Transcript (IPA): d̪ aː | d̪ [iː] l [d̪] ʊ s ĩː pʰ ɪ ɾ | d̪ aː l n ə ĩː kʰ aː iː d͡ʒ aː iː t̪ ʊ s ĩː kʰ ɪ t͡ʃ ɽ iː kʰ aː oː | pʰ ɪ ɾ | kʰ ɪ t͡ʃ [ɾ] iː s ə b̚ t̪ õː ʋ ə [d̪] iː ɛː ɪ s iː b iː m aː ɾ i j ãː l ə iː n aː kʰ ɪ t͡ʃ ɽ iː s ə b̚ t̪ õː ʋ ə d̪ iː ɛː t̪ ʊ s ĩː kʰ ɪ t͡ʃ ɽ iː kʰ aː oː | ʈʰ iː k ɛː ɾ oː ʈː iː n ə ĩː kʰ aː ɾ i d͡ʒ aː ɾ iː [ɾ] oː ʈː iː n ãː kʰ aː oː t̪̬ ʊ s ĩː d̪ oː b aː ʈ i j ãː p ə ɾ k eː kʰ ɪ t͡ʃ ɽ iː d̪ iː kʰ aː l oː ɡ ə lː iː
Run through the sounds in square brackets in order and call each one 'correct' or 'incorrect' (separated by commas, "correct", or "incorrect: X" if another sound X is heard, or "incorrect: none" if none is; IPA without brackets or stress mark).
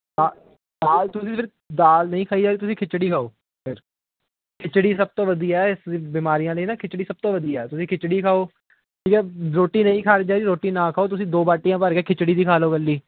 incorrect: aː, incorrect: t̪, incorrect: ɽ, correct, correct